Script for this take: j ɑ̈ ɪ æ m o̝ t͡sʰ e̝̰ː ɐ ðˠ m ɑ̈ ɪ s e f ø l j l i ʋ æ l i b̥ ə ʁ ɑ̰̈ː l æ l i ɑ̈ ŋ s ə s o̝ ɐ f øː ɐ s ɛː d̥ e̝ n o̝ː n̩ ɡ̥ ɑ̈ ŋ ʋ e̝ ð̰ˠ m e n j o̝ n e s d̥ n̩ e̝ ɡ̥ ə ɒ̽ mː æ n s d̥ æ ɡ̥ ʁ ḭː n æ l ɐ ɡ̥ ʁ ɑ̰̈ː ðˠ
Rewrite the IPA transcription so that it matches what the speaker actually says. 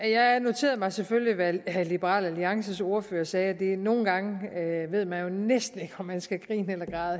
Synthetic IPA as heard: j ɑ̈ ɪ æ n o̝ t͡sʰ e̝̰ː ɐ ðˠ m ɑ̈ ɪ s e f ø l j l i ʋ æ l i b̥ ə ʁ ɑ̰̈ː l æ l i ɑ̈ ŋ s ə s o̝ ɐ f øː ɐ s ɛː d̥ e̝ n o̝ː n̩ ɡ̥ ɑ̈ ŋ ʋ e̝ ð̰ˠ m æ n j o̝ n e s d̥ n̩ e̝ ɡ̥ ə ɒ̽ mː æ n s ɡ̥ æ ɡ̥ ʁ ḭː n e l ɐ ɡ̥ ʁ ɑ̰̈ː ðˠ